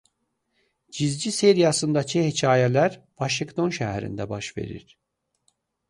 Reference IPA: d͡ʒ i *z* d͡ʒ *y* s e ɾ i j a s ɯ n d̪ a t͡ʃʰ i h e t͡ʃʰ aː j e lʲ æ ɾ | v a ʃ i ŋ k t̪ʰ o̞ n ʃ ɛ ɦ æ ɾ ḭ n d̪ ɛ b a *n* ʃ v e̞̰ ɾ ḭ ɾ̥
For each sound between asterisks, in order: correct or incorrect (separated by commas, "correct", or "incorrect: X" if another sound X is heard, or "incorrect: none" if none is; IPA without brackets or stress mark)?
correct, incorrect: i, incorrect: none